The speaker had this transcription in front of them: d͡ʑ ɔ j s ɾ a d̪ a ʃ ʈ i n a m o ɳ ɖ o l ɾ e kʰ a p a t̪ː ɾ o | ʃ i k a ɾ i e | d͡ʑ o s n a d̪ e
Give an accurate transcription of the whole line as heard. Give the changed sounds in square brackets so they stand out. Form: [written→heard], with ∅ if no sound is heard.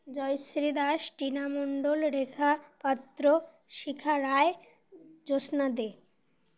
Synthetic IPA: d͡ʑ ɔ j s ɾ [a→i] d̪ a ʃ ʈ i n a m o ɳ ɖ o l ɾ e kʰ a p a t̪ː ɾ o | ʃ i [k→kʰ] a ɾ [i→a] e | d͡ʑ o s n a d̪ e